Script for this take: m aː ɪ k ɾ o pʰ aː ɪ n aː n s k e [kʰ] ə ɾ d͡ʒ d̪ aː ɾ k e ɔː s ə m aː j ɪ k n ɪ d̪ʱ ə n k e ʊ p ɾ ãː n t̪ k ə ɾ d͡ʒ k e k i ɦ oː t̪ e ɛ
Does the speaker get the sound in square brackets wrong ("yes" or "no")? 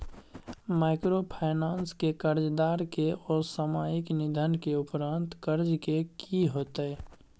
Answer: yes